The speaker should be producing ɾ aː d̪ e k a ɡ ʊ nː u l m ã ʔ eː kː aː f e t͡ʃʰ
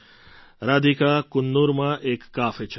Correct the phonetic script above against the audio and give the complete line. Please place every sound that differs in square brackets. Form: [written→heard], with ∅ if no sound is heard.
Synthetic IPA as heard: ɾ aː d̪ [e→i] k a [ɡ→k] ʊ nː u [l→ɾ] m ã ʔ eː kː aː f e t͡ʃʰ